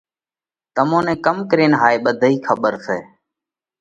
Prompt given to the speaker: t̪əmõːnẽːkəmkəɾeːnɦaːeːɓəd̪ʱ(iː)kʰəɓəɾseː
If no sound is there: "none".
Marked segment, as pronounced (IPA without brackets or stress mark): iː